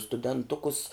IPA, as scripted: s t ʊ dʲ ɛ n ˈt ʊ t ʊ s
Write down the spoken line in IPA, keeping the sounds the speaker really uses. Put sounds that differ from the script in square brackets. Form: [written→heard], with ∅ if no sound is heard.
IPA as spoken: s t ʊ dʲ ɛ n ˈt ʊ [t→k] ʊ s